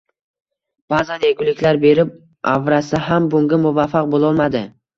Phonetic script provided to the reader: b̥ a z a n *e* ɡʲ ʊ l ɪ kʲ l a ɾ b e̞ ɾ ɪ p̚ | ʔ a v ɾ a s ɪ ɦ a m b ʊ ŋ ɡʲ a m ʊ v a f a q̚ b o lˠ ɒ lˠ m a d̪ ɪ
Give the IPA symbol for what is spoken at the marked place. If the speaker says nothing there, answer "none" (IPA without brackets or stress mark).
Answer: e